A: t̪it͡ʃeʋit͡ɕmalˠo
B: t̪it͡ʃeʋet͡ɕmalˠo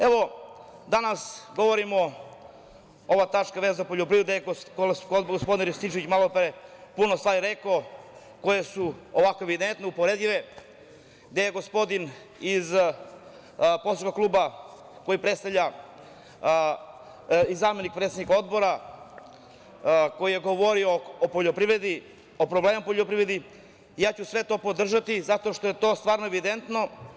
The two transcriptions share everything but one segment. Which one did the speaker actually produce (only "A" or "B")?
A